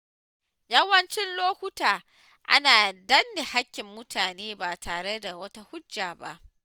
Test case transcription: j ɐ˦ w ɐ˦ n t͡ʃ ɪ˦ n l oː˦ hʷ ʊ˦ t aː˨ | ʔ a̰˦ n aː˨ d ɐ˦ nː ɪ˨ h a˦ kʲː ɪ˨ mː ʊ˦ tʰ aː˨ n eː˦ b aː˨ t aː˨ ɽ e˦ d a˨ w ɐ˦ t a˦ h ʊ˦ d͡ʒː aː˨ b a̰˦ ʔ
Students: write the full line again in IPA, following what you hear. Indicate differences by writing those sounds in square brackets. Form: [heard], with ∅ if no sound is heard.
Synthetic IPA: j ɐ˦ w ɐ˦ n t͡ʃ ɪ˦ n l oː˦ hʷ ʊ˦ t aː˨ | ʔ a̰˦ n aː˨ d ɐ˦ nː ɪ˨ h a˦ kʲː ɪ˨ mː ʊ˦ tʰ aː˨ n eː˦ b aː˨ t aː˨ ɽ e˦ d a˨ w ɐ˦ t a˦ h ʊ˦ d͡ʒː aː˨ b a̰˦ ʔ